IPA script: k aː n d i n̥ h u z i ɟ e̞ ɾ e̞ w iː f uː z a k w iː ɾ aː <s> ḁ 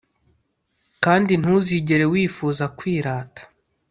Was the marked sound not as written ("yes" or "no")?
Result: yes